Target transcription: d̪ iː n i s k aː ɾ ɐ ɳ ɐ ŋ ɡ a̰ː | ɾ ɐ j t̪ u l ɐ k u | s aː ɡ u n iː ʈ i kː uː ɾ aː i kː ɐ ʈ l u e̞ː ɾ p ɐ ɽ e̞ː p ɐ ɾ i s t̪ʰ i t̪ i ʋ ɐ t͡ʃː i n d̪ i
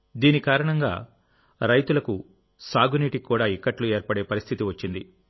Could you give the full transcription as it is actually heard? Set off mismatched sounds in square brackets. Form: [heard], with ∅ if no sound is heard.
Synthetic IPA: d̪ iː n i [∅] k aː ɾ ɐ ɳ ɐ ŋ ɡ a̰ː | ɾ ɐ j t̪ u l ɐ k u | s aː ɡ u n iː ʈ i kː uː [ɽ] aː i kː ɐ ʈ l u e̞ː ɾ p ɐ ɽ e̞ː p ɐ ɾ i s t̪ʰ i t̪ i ʋ ɐ t͡ʃː i n d̪ i